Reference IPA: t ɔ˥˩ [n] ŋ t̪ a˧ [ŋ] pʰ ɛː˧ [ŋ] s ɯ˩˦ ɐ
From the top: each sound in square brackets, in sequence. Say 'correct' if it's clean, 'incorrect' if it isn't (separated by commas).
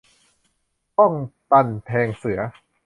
incorrect, incorrect, correct